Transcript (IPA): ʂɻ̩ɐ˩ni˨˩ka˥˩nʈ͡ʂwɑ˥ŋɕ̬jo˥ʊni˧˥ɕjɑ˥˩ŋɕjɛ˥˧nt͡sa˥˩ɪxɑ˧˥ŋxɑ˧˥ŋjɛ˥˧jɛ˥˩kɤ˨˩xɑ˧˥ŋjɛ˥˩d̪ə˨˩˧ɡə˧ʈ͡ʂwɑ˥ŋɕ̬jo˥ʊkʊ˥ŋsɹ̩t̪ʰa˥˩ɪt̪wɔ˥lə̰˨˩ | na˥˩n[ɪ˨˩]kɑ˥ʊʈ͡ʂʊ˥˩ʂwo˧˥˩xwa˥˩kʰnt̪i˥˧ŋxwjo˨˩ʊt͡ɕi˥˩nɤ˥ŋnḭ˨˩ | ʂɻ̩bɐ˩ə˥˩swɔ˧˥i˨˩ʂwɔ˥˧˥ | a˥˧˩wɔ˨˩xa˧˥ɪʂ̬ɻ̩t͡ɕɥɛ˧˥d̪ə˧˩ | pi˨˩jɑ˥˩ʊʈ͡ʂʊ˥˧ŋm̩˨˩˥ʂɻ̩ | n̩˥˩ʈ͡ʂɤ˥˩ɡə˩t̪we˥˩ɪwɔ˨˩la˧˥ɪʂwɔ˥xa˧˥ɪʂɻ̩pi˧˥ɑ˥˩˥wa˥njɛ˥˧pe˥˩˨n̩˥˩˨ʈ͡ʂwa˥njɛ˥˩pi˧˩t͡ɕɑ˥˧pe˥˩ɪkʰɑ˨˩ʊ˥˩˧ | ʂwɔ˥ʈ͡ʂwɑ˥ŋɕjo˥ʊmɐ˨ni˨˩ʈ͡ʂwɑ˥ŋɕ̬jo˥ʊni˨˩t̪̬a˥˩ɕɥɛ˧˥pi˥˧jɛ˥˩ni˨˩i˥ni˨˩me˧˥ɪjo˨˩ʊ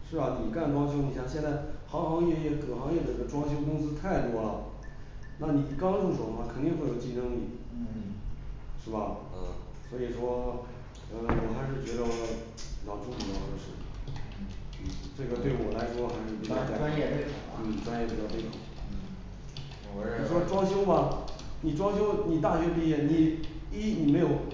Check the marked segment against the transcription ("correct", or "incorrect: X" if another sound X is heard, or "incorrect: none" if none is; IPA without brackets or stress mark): incorrect: i˨˩